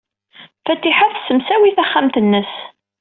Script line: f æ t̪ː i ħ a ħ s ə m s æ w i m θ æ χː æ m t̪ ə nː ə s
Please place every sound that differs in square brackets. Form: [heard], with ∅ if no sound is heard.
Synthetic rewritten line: f æ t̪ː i ħ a [θ] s ə m s æ w i [∅] θ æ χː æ m t̪ ə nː ə s